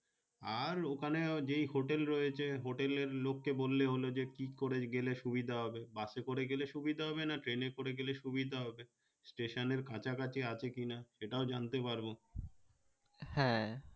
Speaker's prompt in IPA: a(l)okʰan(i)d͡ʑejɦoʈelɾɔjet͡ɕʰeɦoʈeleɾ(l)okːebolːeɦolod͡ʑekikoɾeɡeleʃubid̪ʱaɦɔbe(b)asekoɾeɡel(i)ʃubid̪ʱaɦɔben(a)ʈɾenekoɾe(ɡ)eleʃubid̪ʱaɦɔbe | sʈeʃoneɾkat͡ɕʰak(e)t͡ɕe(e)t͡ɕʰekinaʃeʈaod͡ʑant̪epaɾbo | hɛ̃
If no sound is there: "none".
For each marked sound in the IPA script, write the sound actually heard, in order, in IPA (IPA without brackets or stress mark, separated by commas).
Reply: ɾ, e, l, b, e, a, ɡ, a, a